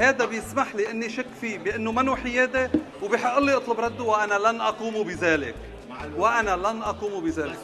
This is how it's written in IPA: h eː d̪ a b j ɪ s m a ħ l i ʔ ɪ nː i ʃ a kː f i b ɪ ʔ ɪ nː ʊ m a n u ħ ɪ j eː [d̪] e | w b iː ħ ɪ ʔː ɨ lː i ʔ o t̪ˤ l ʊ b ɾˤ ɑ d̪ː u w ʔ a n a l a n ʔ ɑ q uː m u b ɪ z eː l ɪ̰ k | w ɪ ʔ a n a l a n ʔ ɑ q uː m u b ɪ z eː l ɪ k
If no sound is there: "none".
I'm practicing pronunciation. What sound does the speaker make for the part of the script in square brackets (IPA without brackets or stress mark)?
d̪